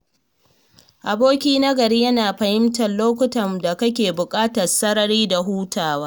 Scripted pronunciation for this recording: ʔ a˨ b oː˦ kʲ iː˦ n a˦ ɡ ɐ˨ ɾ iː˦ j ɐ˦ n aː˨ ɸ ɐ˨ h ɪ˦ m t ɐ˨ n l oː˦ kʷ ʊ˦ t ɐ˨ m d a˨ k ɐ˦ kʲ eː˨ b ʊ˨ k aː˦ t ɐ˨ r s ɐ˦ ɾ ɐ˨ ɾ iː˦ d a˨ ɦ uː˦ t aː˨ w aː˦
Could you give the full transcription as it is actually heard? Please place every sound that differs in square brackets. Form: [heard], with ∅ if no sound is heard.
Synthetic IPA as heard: ʔ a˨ b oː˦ kʲ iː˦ n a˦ ɡ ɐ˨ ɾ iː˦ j ɐ˦ n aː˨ ɸ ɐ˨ h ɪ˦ m t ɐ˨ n l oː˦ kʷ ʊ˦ t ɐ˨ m d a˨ k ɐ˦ kʲ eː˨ b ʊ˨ [kʼ] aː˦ t ɐ˨ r s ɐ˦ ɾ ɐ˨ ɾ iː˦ d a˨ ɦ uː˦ t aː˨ w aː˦